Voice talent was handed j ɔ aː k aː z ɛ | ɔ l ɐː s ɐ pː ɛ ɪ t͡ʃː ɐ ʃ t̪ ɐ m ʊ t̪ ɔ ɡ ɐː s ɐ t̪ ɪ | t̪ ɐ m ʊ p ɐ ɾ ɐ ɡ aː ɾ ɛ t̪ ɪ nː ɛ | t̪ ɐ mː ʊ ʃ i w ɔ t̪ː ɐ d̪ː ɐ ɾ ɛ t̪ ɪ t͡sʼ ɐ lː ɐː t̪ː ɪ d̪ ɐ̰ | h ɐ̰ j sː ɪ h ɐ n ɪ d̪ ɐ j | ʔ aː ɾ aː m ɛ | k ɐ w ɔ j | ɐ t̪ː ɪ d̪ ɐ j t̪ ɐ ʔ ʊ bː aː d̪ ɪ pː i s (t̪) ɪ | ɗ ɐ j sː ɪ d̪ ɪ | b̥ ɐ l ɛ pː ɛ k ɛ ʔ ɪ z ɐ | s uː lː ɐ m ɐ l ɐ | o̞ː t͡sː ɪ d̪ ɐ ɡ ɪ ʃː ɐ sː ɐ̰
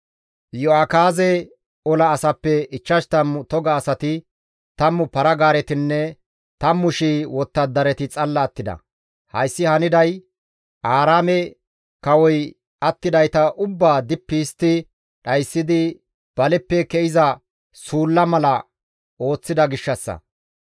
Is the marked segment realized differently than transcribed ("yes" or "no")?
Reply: no